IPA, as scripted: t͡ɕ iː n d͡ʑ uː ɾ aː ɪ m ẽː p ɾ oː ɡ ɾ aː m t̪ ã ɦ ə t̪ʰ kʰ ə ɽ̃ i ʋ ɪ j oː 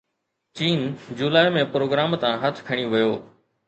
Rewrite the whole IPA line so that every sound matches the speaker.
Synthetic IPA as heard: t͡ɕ iː n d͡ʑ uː l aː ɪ m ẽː p ɾ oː ɡ ɾ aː m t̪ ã ɦ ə t̪ʰ kʰ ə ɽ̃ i ʋ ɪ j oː